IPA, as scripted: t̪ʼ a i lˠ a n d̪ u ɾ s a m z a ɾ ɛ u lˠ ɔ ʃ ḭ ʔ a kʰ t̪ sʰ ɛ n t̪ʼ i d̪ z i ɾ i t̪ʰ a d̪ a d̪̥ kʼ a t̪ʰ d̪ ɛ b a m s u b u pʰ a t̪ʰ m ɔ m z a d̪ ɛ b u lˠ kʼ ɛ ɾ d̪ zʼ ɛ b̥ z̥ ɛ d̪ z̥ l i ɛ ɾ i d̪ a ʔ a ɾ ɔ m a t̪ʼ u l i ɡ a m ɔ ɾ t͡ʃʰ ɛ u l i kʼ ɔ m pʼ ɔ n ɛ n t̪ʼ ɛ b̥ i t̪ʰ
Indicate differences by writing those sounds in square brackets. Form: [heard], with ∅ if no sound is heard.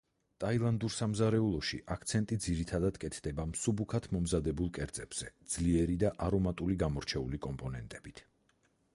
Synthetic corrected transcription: t̪ʼ a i lˠ a n d̪ u ɾ s a m z a ɾ ɛ u lˠ ɔ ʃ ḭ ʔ a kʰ t̪ sʰ ɛ n t̪ʼ i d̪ z i ɾ i t̪ʰ a d̪ a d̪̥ kʼ [ɛ] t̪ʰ d̪ ɛ b a m s u b u [kʰ] a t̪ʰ m ɔ m z a d̪ ɛ b u lˠ kʼ ɛ ɾ d̪ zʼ ɛ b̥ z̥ ɛ d̪ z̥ l i ɛ ɾ i d̪ a ʔ a ɾ ɔ m a t̪ʼ u l i ɡ a m ɔ ɾ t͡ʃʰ ɛ u l i kʼ ɔ m pʼ ɔ n ɛ n t̪ʼ ɛ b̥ i t̪ʰ

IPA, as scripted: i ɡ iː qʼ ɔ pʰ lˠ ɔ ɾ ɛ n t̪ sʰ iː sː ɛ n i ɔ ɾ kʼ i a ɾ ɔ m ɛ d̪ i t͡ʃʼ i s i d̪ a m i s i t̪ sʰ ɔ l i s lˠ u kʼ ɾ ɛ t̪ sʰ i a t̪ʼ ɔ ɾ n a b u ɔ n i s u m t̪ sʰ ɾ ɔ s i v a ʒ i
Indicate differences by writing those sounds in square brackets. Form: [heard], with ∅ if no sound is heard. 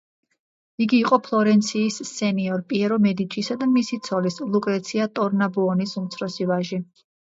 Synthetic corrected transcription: i ɡ iː qʼ ɔ pʰ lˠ ɔ ɾ ɛ n t̪ sʰ iː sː ɛ n i ɔ ɾ [pʼ] i [ɛ] ɾ ɔ m ɛ d̪ i t͡ʃʼ i s [a] d̪ a m i s i t̪ sʰ ɔ l i s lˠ u kʼ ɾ ɛ t̪ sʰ i a t̪ʼ ɔ ɾ n a b u ɔ n i s u m t̪ sʰ ɾ ɔ s i v a ʒ i

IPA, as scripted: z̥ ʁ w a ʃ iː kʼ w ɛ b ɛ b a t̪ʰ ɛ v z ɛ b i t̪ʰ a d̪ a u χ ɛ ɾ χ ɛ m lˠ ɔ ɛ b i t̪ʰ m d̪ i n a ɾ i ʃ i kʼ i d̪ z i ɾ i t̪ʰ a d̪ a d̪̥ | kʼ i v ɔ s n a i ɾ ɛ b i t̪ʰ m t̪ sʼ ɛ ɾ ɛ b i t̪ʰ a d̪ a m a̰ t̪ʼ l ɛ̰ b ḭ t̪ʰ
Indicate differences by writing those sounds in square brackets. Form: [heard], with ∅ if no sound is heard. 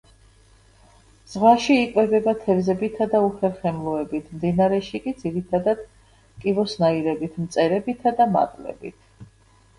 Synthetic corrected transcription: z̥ ʁ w a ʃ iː kʼ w ɛ b ɛ b a t̪ʰ ɛ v z ɛ b i t̪ʰ a d̪ a u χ ɛ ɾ χ ɛ m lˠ ɔ ɛ b i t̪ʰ m d̪ i n a ɾ [ɛ] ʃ i kʼ i d̪ z i ɾ i t̪ʰ a d̪ a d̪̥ | kʼ i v ɔ s n a i ɾ ɛ b i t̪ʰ m t̪ sʼ ɛ ɾ ɛ b i t̪ʰ a d̪ a m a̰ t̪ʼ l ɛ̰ b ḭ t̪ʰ

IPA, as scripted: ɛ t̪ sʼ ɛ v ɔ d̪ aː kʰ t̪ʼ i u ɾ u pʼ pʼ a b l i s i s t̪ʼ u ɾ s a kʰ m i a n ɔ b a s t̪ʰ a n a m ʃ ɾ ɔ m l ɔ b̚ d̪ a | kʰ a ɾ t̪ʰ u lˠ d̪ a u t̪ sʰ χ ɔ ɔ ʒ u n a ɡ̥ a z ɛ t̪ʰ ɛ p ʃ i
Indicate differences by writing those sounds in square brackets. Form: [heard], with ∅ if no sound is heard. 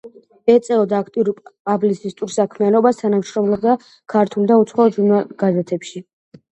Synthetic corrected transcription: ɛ t̪ sʼ ɛ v ɔ d̪ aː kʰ t̪ʼ i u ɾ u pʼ pʼ a b l i s i s t̪ʼ u ɾ s a kʰ m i a n ɔ b a s t̪ʰ a n a m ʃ ɾ ɔ m l ɔ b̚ d̪ a | kʰ a ɾ t̪ʰ u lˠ d̪ a u t̪ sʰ χ ɔ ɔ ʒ u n a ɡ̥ a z ɛ t̪ʰ ɛ p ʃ i

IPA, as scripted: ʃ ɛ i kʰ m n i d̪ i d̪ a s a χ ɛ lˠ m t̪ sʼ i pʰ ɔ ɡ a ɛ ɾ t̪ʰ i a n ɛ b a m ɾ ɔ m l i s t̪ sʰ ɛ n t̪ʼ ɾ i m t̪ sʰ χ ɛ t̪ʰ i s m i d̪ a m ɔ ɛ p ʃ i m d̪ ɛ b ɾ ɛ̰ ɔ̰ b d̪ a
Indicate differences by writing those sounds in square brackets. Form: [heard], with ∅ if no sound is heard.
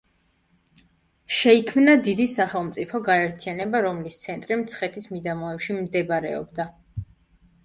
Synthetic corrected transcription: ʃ ɛ i kʰ m n [a] d̪ i d̪ [i] s a χ ɛ lˠ m t̪ sʼ i pʰ ɔ ɡ a ɛ ɾ t̪ʰ i a n ɛ b a [∅] ɾ ɔ m l i s t̪ sʰ ɛ n t̪ʼ ɾ i m t̪ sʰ χ ɛ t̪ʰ i s m i d̪ a m ɔ ɛ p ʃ i m d̪ ɛ b ɾ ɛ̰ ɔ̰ b d̪ a

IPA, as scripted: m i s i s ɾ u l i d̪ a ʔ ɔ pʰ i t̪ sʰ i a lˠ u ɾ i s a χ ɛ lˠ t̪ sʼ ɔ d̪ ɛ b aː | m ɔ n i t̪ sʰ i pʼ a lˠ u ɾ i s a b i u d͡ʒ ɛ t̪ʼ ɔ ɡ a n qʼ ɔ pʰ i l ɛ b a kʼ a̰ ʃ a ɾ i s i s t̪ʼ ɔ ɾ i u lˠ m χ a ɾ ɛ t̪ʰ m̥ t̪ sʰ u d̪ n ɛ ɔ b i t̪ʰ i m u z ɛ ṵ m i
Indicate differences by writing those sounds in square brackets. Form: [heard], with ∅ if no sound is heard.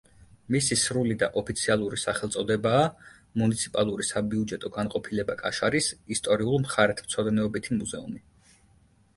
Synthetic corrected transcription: m i s i s ɾ u l i d̪ a ʔ ɔ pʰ i t̪ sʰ i a lˠ u ɾ i s a χ ɛ lˠ t̪ sʼ ɔ d̪ ɛ b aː | m [u] n i t̪ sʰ i pʼ a lˠ u ɾ i s a b i u d͡ʒ ɛ t̪ʼ ɔ ɡ a n qʼ ɔ pʰ i l ɛ b a kʼ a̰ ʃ a ɾ i s i s t̪ʼ ɔ ɾ i u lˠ m χ a ɾ ɛ t̪ʰ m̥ t̪ sʰ [ɔ] d̪ n ɛ ɔ b i t̪ʰ i m u z ɛ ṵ m i

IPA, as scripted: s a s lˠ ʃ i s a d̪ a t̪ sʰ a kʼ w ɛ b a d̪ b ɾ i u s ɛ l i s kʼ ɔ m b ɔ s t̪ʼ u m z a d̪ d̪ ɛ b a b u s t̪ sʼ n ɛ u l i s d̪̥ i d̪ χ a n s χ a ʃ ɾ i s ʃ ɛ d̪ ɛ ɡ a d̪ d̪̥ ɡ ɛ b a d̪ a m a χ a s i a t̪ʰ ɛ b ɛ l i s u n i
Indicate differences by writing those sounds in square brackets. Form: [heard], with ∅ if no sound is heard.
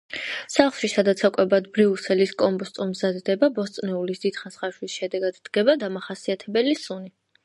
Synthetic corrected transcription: s a [χ] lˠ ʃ i s a d̪ a t̪ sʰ a kʼ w ɛ b a d̪ b ɾ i u s ɛ l i s kʼ ɔ m b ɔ s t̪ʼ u m z a d̪ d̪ ɛ b a b [ɔ] s t̪ sʼ n ɛ u l i s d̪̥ i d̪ χ a n s χ a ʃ [l] i s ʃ ɛ d̪ ɛ ɡ a d̪ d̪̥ ɡ ɛ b a d̪ a m a χ a s i a t̪ʰ ɛ b ɛ l i s u n i

